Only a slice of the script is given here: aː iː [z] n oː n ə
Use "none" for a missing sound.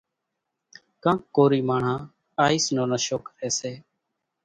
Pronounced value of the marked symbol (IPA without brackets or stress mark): s